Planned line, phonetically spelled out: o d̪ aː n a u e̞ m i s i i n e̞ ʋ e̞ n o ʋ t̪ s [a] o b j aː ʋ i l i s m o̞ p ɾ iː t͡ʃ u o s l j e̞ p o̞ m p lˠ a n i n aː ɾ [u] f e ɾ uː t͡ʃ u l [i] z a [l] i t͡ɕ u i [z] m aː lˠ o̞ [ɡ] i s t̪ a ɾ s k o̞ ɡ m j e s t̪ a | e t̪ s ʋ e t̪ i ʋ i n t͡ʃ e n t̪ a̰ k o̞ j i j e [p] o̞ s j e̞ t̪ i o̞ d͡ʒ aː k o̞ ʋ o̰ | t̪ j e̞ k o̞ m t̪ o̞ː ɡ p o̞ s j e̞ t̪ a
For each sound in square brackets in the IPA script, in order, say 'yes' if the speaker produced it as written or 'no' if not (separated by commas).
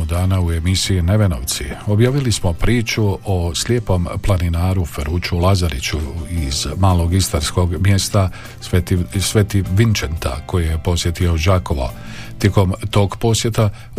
no, yes, no, no, yes, yes, yes